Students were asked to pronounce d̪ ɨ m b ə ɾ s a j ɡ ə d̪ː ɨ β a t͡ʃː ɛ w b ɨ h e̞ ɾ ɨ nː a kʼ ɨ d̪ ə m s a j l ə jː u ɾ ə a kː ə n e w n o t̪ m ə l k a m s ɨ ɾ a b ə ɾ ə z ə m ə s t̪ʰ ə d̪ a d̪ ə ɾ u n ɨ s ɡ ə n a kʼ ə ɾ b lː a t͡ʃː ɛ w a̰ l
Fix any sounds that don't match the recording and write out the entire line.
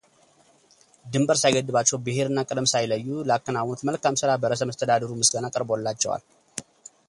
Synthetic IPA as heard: d̪ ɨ m b ə ɾ s a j ɡ ə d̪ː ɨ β a t͡ʃː ɛ w b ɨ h e̞ ɾ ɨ nː a kʼ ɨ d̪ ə m s a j l ə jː u l ə a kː ə n a w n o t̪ m ə l k a m s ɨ ɾ a b ə ɾ ə s ə m ə s t̪ʰ ə d̪ a d̪ ə ɾ u m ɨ s ɡ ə n a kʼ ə ɾ b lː a t͡ʃː ɛ w a̰ l